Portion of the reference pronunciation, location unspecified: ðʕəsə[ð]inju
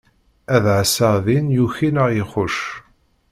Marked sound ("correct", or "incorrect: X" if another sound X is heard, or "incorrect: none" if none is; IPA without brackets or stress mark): correct